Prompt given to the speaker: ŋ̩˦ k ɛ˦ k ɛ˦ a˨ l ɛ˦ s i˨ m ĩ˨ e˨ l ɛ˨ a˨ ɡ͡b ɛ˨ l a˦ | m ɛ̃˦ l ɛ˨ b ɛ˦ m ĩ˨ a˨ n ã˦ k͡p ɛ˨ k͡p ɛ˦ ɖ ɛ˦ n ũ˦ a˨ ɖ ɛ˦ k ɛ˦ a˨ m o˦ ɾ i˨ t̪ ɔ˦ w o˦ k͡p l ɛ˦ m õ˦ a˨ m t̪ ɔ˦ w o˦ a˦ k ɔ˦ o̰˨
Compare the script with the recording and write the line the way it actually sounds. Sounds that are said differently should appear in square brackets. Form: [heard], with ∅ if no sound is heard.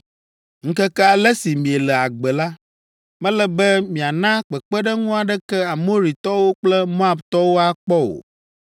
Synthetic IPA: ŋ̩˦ k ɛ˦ k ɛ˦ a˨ l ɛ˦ s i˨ m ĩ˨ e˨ l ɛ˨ a˨ ɡ͡b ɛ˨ l a˦ | m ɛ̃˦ l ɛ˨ b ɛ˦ m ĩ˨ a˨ n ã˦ k͡p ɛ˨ k͡p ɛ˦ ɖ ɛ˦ [ŋ] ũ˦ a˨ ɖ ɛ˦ k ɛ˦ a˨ m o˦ ɾ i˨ t̪ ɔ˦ w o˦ k͡p l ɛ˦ m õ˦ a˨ [b] t̪ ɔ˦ w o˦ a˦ [k͡p] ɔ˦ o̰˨